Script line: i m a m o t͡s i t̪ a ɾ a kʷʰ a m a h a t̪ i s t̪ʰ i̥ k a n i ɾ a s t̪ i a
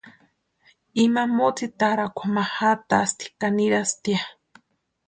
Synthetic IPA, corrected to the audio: i m a m o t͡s i t̪ a ɾ a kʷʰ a m a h a t̪ a s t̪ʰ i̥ k a n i ɾ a s t̪ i a